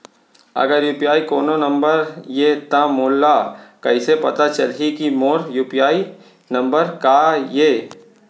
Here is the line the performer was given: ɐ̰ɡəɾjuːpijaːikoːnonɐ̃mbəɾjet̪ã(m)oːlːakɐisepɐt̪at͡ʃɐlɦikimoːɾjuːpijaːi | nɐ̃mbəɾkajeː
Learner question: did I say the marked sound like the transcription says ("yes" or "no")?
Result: yes